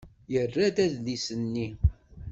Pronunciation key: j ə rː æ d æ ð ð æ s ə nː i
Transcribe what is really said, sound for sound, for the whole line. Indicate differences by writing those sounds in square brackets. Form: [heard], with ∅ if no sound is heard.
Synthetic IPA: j ə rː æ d æ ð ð [i] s ə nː i